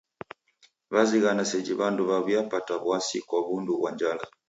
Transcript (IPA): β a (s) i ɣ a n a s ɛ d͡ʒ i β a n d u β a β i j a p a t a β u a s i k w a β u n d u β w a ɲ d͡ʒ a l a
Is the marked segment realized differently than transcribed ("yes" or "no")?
yes